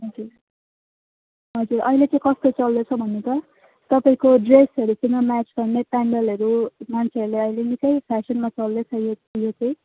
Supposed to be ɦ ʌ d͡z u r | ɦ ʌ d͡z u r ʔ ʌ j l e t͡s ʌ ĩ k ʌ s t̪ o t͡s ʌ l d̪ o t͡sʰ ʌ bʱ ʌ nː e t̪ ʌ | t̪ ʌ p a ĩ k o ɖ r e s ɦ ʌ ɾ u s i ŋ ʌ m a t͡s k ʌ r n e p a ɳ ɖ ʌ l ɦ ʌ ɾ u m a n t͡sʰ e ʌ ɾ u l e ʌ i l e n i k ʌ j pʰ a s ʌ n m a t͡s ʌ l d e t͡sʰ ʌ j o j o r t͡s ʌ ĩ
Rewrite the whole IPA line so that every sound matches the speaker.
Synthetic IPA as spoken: ɦ ʌ d͡z u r | ɦ ʌ d͡z u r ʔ ʌ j l e t͡s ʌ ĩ k ʌ s t̪ o t͡s ʌ l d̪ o t͡sʰ ʌ bʱ ʌ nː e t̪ ʌ | t̪ ʌ p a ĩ k o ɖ r e s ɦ ʌ ɾ u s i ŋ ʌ m a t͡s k ʌ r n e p a ɳ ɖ ʌ l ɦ ʌ ɾ u m a n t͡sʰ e ʌ ɾ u l e ʌ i l e n i k ʌ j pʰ a s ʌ n m a t͡s ʌ l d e t͡sʰ ʌ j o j o t͡s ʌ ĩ